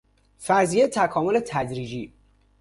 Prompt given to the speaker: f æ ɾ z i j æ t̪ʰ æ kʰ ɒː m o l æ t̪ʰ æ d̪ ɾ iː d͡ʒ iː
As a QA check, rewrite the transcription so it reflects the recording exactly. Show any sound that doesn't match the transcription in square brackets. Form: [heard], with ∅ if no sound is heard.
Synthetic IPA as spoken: f æ ɾ z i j [e] t̪ʰ æ kʰ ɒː m o l [e] t̪ʰ æ d̪ ɾ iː d͡ʒ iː